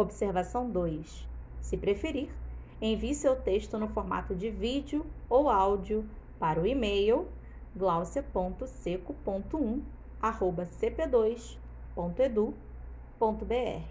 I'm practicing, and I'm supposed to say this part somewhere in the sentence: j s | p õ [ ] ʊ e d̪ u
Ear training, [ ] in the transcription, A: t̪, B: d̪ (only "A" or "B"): A